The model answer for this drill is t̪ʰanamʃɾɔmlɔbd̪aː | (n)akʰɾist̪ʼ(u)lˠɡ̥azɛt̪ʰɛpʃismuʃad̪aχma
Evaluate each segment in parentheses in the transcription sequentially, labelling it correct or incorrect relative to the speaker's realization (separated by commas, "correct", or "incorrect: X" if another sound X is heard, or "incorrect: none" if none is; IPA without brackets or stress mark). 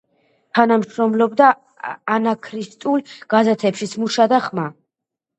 correct, correct